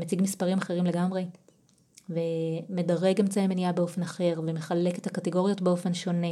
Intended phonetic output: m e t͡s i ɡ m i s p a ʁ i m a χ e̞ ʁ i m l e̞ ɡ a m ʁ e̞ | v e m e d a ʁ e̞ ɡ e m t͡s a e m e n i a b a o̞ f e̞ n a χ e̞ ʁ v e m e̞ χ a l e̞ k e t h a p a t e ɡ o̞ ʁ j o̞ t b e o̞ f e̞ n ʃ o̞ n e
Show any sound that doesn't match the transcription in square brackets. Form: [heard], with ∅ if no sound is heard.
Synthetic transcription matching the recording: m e t͡s i ɡ m i s p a ʁ i m a χ e̞ ʁ i m l e̞ ɡ a m ʁ e̞ | v e m e d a ʁ e̞ ɡ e m t͡s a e m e n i a b [e] o̞ f e̞ n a χ e̞ ʁ v e m e̞ χ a l e̞ k e t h a [k] a t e ɡ o̞ ʁ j o̞ t b e o̞ f e̞ n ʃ o̞ n e